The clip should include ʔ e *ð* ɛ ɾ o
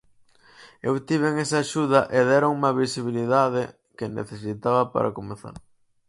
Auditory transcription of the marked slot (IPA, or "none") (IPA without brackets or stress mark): ð